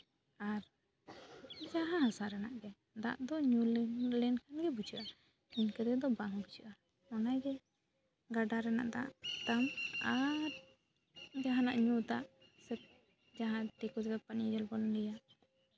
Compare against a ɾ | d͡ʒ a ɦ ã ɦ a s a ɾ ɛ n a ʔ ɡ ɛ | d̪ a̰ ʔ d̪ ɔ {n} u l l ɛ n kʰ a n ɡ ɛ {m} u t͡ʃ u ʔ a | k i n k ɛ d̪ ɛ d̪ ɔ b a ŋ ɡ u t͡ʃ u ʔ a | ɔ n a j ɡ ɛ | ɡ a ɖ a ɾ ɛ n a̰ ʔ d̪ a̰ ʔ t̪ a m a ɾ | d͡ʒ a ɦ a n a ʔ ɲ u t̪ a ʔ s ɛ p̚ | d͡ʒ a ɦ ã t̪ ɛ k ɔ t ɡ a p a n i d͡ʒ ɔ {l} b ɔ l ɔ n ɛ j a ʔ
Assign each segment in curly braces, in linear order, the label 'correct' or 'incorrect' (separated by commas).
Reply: incorrect, incorrect, correct